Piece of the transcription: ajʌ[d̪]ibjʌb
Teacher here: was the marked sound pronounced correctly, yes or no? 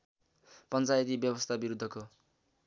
no